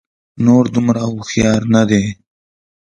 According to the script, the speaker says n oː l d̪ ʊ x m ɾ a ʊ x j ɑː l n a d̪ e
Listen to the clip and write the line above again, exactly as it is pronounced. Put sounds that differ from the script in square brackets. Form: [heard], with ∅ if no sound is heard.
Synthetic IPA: n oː [ɾ] d̪ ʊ [∅] m ɾ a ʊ x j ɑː [ɾ] n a d̪ e